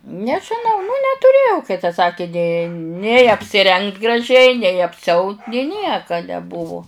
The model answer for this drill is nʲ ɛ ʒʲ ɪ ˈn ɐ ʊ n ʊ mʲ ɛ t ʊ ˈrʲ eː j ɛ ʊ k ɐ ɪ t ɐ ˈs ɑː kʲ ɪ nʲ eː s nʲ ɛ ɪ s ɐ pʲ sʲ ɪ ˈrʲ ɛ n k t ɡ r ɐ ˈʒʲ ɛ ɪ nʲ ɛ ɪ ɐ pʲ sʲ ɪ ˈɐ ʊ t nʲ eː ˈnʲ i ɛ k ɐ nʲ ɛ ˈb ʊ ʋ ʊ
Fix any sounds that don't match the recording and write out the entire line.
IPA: nʲ ɛ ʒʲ ɪ ˈn ɐ ʊ n ʊ nʲ ɛ t ʊ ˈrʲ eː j ɛ ʊ k ɐ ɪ t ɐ ˈs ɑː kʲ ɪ nʲ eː nʲ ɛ ɪ ɐ pʲ sʲ ɪ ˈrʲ ɛ ŋ k t ɡ r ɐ ˈʒʲ ɛ ɪ nʲ ɛ ɪ ɐ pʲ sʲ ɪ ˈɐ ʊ t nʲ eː ˈnʲ i ɛ k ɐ nʲ ɛ ˈb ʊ ʋ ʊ